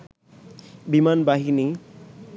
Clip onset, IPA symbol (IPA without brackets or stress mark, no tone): b